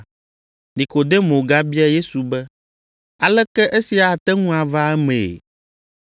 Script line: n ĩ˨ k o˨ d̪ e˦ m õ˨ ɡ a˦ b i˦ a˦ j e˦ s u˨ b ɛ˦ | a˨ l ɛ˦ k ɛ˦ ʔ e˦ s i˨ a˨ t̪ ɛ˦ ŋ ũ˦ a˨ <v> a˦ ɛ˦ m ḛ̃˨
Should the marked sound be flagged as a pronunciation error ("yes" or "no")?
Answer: no